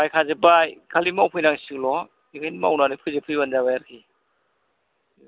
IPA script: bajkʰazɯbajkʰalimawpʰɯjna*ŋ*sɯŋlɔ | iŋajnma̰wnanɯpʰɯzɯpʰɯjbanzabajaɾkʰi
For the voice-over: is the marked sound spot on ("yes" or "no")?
yes